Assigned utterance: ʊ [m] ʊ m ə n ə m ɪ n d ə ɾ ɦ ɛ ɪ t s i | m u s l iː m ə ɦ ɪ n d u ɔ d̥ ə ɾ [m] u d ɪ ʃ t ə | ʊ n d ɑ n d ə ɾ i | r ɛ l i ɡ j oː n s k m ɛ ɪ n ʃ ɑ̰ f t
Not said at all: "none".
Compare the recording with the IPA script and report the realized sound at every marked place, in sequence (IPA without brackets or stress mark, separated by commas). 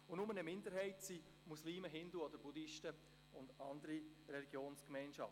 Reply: n, b